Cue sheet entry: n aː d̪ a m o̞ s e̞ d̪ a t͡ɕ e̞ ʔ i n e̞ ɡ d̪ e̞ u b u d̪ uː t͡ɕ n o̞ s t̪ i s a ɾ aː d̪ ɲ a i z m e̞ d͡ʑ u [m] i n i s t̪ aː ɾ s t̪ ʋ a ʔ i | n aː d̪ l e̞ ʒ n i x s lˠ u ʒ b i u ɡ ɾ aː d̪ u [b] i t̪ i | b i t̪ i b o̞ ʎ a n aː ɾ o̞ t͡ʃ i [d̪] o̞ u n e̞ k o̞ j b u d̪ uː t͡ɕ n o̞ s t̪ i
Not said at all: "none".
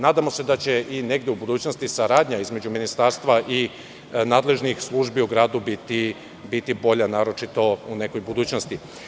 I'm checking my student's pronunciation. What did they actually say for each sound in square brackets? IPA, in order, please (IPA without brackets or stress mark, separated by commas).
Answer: m, b, t̪